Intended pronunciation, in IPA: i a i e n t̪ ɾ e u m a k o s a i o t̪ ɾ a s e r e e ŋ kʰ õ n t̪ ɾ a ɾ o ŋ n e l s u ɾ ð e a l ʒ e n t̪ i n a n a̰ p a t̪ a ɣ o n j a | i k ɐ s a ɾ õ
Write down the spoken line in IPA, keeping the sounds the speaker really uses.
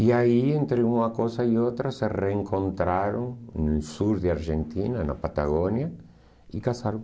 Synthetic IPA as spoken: i a i e n t̪ ɾ e u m a k o s a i o t̪ ɾ a s e r e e ŋ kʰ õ n t̪ ɾ a ɾ o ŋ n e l s u ɾ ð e a ɾ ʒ e n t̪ i n a n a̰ p a t̪ a ɣ o n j a | i k a s a ɾ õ

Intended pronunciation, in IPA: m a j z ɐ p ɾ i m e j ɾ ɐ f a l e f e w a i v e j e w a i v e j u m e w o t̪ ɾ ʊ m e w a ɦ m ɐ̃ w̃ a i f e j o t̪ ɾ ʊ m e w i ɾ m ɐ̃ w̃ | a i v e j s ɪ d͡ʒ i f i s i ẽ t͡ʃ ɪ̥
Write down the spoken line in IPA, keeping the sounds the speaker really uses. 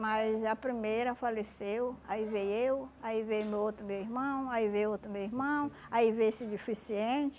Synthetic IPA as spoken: m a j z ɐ p ɾ i m e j ɾ ɐ f a l e s e w a i v e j e w a i v e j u m e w o t̪ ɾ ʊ m e w i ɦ m ɐ̃ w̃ a i v e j o t̪ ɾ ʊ m e w i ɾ m ɐ̃ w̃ | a i v e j s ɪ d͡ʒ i f i s i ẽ t͡ʃ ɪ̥

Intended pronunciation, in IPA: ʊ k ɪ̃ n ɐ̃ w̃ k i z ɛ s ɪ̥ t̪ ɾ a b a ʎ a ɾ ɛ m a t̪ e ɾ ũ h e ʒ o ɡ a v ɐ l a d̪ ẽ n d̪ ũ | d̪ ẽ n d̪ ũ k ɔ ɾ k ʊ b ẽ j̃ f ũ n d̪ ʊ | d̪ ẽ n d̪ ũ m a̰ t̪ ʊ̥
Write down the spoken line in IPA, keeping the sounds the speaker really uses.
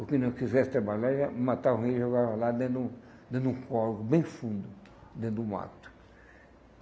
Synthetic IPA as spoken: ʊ k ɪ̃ n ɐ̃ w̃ k i z ɛ s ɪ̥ t̪ ɾ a b a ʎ a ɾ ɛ m a t̪ a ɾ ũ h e ʒ o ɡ a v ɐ l a d̪ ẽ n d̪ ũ | d̪ ẽ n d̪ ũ k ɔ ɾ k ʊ b ẽ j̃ f ũ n d̪ ʊ | d̪ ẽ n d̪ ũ m a̰ t̪ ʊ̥

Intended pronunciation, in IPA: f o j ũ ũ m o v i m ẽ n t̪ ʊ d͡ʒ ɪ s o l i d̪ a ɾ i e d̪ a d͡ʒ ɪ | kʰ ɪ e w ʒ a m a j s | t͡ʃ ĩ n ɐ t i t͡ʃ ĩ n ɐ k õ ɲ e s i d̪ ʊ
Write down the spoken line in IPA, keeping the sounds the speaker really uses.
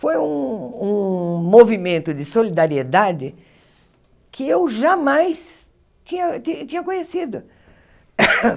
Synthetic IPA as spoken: f o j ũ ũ m o v i m ẽ n t̪ ʊ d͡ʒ ɪ s o l i d̪ a ɾ i e d̪ a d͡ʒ ɪ | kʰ ɪ e w ʒ a m a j s | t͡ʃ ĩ ɲ ɐ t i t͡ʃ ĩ ɲ ɐ k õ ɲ e s i d̪ ʊ

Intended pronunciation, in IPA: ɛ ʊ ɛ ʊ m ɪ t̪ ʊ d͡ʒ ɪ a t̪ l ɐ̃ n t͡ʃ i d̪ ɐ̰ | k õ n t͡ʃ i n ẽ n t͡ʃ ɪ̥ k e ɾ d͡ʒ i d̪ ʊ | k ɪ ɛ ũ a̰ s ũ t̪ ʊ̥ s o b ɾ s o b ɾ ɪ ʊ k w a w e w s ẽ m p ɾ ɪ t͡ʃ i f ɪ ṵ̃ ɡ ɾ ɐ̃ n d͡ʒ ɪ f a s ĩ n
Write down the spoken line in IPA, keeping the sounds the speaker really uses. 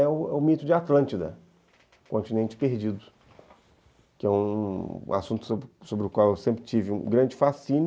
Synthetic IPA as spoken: ɛ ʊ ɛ ʊ m i t̪ ʊ d͡ʒ ɪ a t̪ l ɐ̃ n t͡ʃ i d̪ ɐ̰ | k õ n t͡ʃ i n ẽ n t͡ʃ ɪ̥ p e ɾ d͡ʒ i d̪ ʊ | k ɪ ɛ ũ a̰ s ũ t̪ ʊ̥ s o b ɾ s o b ɾ ɪ ʊ k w a w e w s ẽ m p ɾ ɪ t͡ʃ i v ɪ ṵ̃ ɡ ɾ ɐ̃ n d͡ʒ ɪ f a s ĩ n

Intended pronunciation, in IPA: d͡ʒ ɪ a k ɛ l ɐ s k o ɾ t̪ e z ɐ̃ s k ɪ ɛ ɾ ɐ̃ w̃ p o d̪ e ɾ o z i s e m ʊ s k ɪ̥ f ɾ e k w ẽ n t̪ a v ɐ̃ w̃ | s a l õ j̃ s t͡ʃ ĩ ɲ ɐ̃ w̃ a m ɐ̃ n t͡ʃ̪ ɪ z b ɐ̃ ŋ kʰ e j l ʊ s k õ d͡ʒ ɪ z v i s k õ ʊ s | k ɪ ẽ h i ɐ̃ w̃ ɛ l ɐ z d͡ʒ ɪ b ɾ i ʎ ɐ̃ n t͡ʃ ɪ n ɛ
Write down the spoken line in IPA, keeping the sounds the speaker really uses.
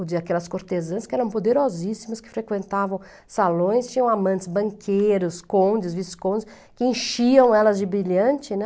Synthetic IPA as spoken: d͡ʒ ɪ a k ɛ l ɐ s k o ɾ t̪ e z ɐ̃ s k ɪ ɛ ɾ ɐ̃ w̃ p o d̪ e ɾ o z i s i m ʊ s k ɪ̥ f ɾ e k w ẽ n t̪ a v ɐ̃ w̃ | s a l õ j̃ s t͡ʃ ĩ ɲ ɐ̃ w̃ a m ɐ̃ n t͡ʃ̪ ɪ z b ɐ̃ ŋ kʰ e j ɾ ʊ s k õ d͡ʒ ɪ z v i s k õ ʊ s | k ɪ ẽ ʃ i ɐ̃ w̃ ɛ l ɐ z d͡ʒ ɪ b ɾ i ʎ ɐ̃ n t͡ʃ ɪ n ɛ

